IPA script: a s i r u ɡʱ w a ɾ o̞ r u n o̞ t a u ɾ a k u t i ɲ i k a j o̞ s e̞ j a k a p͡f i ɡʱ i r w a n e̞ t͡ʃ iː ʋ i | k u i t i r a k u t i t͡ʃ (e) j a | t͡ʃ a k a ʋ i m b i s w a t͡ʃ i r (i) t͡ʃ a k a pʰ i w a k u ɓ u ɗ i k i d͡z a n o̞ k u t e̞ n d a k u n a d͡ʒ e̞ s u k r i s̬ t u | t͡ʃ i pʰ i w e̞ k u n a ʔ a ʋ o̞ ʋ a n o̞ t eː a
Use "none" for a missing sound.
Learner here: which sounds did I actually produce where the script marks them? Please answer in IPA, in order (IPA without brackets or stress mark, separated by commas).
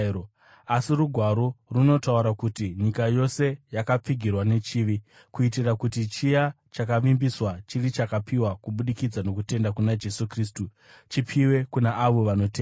i, i